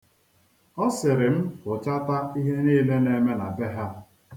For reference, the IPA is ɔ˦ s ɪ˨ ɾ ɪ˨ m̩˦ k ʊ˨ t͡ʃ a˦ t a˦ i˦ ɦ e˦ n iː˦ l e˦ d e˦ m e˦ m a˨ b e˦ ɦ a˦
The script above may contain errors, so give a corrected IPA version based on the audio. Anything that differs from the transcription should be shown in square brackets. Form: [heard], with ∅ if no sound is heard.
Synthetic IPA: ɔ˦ s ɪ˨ ɾ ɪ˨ m̩˦ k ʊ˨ t͡ʃ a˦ t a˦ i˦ ɦ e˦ n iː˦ l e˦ [n] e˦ m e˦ [n] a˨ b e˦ ɦ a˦

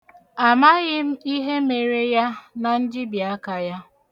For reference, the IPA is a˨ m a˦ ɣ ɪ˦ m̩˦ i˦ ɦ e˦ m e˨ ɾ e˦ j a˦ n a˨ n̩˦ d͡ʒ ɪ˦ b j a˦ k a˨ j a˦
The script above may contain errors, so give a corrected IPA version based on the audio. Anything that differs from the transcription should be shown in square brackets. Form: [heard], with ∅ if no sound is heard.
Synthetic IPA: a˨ m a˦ ɣ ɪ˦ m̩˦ i˦ ɦ e˦ m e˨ ɾ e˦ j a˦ n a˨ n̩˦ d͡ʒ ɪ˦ b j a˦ k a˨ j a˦

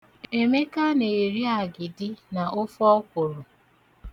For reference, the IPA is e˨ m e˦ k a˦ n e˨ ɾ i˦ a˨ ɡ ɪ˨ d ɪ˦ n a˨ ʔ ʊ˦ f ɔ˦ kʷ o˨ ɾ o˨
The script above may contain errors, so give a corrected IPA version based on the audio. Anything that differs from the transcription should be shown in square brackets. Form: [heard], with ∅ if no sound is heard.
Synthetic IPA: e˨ m e˦ k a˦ n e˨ ɾ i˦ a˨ ɡ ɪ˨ d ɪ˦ n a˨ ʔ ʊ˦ f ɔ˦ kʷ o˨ ɾ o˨

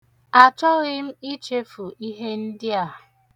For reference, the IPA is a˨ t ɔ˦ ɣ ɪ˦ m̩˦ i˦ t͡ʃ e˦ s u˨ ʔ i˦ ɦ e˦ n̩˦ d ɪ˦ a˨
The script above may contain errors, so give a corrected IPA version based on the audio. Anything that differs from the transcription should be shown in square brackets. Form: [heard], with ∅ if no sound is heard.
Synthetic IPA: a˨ [t͡ʃ] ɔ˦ ɣ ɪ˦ m̩˦ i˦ t͡ʃ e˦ [f] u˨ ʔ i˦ ɦ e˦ n̩˦ d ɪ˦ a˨

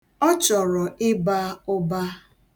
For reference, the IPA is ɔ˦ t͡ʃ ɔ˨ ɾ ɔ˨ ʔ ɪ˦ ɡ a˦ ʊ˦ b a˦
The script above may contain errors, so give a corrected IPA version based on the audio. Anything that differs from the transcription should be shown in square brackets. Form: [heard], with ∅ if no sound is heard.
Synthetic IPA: ɔ˦ t͡ʃ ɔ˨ ɾ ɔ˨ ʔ ɪ˦ [b] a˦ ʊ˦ b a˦

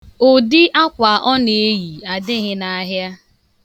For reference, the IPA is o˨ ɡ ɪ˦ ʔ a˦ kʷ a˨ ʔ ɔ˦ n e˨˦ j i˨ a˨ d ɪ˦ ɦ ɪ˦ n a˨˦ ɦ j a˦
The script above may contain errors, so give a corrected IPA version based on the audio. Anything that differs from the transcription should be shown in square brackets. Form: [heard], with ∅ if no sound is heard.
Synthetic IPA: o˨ [d] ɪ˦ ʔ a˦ kʷ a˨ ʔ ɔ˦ n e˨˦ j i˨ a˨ d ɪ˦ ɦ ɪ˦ n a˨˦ ɦ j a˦

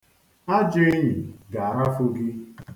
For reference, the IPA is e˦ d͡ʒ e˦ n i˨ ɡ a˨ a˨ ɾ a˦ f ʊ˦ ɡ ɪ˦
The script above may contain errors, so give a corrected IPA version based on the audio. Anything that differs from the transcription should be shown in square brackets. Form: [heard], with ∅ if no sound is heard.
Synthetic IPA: [a˦] d͡ʒ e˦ [ɲ] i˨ ɡ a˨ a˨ ɾ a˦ f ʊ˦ ɡ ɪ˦

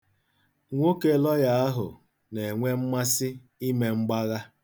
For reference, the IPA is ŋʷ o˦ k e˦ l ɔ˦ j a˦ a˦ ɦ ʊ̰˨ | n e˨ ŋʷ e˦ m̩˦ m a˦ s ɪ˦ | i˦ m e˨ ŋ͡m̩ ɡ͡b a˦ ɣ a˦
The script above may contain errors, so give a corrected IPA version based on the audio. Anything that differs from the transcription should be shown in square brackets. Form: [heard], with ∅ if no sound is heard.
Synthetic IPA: ŋʷ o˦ k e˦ l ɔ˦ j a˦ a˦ ɦ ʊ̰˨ | n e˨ ŋʷ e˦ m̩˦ m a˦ s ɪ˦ | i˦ m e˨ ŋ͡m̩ ɡ͡b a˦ ɣ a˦

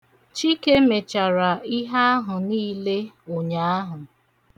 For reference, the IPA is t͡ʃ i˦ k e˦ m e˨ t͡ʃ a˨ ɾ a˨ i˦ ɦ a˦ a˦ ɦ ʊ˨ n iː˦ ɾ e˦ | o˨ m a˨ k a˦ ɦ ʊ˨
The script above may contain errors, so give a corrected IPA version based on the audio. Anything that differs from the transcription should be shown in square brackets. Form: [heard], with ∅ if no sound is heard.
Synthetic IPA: t͡ʃ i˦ k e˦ m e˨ t͡ʃ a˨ ɾ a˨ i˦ ɦ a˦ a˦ ɦ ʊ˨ n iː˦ [l] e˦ | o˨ [ɲ] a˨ [∅] a˦ ɦ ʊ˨

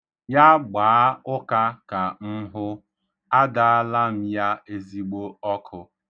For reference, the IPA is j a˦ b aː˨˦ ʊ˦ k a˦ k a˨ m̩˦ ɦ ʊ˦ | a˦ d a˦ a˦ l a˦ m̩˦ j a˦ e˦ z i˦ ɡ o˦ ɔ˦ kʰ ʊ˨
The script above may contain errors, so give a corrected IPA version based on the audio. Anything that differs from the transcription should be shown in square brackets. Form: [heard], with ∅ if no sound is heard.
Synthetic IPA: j a˦ [ɡ͡b] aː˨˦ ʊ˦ k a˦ k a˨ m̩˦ ɦ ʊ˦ | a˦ d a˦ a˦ l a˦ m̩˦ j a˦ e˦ z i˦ [ɡ͡b] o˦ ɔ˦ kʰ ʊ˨

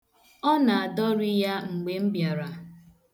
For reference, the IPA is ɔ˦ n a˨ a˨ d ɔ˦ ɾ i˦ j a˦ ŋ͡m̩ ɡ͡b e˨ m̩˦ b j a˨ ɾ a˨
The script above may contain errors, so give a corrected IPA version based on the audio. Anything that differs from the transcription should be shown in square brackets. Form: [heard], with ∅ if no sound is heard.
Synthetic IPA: ɔ˦ n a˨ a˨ d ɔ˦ ɾ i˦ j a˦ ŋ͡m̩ ɡ͡b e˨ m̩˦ b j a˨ ɾ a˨

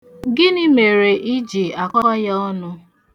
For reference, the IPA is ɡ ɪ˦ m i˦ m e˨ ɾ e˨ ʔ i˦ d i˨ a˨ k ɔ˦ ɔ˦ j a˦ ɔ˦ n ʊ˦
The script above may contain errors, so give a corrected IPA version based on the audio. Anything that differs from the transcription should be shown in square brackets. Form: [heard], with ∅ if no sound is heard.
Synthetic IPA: ɡ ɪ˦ [n] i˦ m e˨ ɾ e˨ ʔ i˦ [d͡ʒ] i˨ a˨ k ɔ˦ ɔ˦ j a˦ ɔ˦ n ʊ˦

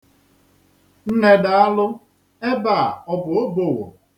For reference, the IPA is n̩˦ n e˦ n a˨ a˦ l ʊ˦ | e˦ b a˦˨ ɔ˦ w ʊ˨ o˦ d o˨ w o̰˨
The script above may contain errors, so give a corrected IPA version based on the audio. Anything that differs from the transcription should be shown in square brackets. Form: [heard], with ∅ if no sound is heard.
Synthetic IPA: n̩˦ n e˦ [d] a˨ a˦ l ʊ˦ | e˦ b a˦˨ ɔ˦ [b] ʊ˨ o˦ [b] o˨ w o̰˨

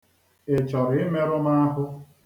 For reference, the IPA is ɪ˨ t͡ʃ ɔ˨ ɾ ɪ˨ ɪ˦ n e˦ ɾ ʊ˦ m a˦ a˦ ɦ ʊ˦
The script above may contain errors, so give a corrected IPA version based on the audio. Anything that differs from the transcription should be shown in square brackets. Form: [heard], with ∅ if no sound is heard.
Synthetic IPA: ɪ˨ t͡ʃ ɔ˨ ɾ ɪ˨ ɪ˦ [m] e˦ ɾ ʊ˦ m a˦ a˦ ɦ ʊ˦

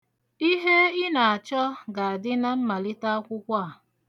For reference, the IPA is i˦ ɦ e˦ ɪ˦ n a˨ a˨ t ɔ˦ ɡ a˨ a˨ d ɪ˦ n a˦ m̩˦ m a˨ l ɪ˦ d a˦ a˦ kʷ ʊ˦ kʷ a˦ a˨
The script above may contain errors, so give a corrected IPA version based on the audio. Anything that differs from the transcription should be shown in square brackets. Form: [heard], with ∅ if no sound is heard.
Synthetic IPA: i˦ ɦ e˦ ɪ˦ n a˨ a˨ [t͡ʃ] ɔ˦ ɡ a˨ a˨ d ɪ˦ n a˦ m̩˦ m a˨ l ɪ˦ [t] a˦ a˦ kʷ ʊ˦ kʷ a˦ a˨

